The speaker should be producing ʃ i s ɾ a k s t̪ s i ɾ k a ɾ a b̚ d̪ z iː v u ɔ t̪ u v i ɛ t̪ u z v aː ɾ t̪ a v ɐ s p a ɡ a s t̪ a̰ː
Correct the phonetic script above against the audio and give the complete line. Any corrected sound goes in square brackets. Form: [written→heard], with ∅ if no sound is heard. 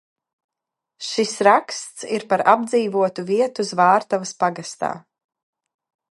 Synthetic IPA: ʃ i s ɾ a k s t̪ s i ɾ [k→p] a ɾ a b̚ d̪ z iː v u ɔ t̪ u v i ɛ t̪ u z v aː ɾ t̪ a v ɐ s p a ɡ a s t̪ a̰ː